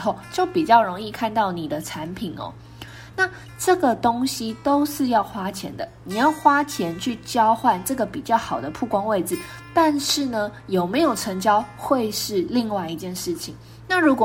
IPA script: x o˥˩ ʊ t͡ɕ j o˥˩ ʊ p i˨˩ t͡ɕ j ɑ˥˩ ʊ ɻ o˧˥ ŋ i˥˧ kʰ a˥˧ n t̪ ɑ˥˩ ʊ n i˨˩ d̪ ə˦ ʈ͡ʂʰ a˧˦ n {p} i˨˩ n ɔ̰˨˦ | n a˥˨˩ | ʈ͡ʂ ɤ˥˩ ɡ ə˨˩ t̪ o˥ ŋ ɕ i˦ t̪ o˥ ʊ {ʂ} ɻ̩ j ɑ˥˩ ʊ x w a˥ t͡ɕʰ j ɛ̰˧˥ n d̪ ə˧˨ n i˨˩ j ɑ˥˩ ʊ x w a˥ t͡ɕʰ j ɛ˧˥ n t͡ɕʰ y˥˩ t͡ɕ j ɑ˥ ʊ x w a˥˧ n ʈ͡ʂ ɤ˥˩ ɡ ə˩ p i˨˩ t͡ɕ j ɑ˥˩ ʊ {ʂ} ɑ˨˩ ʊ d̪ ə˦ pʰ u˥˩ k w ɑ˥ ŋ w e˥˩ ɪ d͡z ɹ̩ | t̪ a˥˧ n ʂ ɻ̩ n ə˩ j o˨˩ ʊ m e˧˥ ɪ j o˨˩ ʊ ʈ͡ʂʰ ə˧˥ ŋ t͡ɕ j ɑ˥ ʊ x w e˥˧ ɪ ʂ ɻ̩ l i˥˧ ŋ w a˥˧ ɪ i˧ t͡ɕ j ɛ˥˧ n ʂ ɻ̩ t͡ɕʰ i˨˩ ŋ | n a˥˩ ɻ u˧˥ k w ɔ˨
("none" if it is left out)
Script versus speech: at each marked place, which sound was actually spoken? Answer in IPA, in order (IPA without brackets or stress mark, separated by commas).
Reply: pʰ, ʂ, x